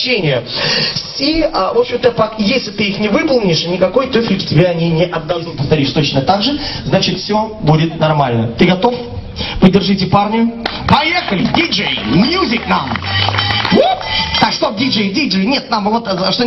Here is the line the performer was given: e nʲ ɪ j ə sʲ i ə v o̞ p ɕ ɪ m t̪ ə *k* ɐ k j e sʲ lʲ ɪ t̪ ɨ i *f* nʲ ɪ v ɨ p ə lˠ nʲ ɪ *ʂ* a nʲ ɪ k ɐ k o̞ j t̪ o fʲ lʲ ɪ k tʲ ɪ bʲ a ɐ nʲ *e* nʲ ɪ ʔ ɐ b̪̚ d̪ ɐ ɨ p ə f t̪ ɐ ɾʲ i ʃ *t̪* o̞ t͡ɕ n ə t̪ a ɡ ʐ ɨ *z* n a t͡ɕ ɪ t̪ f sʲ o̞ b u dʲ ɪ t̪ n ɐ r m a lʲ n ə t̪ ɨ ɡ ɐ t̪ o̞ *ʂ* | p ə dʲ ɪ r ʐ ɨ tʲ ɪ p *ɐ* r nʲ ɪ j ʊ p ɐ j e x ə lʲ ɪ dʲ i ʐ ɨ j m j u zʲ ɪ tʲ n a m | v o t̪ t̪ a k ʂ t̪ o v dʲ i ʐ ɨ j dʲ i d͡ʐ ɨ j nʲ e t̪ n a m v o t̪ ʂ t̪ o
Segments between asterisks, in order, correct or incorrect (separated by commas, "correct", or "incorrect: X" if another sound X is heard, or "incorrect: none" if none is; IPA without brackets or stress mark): incorrect: p, incorrect: x, correct, incorrect: i, correct, correct, incorrect: f, incorrect: a